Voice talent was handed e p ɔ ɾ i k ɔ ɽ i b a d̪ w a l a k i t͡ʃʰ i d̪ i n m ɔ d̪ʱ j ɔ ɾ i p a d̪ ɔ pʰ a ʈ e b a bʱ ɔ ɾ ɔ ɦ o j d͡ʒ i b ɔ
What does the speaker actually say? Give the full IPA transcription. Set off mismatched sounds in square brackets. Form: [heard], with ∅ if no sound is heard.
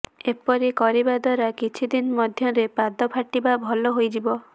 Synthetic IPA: e p ɔ ɾ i k ɔ [ɾ] i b a d̪ w a [ɾ] a k i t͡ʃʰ i d̪ i n m ɔ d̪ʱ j ɔ ɾ [e] p a d̪ ɔ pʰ a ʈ [i] b a bʱ ɔ [l] ɔ ɦ o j d͡ʒ i b ɔ